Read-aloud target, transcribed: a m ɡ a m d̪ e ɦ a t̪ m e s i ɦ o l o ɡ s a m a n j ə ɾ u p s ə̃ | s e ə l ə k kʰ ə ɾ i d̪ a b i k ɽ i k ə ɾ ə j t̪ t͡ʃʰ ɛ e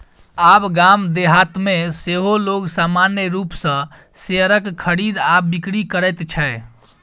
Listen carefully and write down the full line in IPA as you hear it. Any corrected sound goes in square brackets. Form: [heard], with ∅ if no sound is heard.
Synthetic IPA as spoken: a [b] ɡ a m d̪ e ɦ a t̪ m e s [e] ɦ o l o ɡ s a m a n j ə ɾ u p s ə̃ | s e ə [ɾ] ə k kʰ ə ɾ i d̪ a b i k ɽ i k ə ɾ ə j t̪ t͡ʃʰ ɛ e